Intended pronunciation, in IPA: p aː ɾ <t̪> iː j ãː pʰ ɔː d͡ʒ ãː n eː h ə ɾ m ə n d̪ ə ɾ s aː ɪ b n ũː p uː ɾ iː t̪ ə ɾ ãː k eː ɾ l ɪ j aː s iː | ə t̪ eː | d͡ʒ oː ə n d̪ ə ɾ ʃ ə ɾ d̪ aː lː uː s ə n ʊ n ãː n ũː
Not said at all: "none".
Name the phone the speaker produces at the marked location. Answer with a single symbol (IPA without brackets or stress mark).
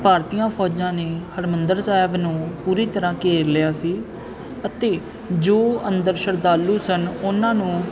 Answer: t̪